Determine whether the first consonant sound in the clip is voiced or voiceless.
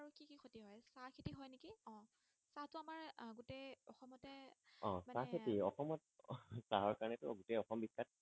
voiced